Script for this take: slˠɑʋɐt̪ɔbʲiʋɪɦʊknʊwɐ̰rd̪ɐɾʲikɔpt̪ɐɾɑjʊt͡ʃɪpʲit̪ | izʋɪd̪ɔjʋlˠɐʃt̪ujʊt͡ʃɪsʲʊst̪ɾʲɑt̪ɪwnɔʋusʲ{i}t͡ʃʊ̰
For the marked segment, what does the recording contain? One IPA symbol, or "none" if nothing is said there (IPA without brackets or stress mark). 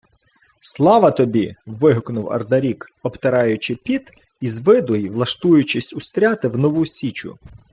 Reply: i